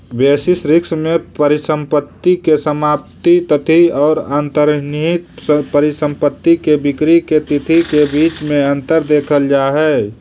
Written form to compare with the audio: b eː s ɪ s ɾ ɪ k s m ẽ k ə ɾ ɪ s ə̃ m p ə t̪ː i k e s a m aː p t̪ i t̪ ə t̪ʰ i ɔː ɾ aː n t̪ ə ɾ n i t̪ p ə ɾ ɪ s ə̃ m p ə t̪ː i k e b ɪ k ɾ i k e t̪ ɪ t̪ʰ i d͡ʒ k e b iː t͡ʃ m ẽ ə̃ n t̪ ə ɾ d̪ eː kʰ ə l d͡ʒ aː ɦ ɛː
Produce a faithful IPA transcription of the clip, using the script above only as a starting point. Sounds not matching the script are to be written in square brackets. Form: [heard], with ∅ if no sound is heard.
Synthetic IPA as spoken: b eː s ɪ s ɾ ɪ k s m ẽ [p] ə ɾ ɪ s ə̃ m p ə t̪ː i k e s [ə] m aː p t̪ i t̪ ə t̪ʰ i ɔː ɾ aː n t̪ ə ɾ n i t̪ p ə ɾ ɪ s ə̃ m p ə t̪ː i k e b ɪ k ɾ i k e t̪ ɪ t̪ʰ i [∅] k e b iː t͡ʃ m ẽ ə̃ n t̪ ə ɾ d̪ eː kʰ ə l d͡ʒ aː ɦ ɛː